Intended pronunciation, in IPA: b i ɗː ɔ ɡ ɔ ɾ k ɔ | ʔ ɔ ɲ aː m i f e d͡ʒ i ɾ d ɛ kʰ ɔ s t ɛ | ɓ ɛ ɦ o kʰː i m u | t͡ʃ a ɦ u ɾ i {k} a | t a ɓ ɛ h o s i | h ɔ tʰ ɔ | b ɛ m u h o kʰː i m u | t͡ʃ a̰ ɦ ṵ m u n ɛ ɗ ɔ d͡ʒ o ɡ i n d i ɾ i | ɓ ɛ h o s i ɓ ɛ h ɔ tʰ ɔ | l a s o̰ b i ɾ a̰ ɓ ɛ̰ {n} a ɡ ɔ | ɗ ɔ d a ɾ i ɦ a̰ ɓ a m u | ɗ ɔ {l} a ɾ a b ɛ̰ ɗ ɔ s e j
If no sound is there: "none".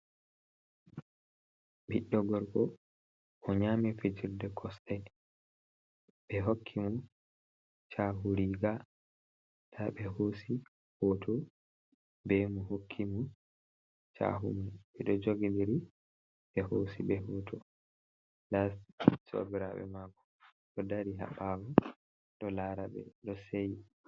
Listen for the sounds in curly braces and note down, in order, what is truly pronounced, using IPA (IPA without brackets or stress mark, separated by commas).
ɡ, m, l